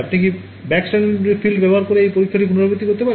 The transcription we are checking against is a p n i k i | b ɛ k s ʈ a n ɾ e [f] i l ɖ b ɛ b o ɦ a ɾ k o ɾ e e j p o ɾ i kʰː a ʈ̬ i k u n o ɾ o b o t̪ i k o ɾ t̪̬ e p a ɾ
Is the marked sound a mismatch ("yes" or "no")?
no